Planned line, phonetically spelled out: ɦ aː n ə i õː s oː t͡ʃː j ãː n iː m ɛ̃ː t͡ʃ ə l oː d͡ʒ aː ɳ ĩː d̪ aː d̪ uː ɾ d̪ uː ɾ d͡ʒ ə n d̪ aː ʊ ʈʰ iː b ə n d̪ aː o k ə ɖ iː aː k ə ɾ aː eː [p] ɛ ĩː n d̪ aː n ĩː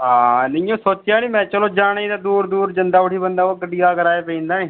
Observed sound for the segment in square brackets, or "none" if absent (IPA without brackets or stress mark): p